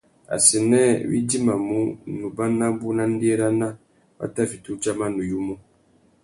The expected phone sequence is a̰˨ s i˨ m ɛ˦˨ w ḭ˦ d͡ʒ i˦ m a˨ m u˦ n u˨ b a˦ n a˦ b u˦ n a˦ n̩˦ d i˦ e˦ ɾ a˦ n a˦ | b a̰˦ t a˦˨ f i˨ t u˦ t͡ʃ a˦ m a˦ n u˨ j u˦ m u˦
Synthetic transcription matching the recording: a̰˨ s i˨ n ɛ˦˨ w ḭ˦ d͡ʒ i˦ m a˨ m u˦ n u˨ b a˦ n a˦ b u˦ n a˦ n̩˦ d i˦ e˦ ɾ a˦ n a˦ | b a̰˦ t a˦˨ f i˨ t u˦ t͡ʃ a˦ m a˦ n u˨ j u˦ m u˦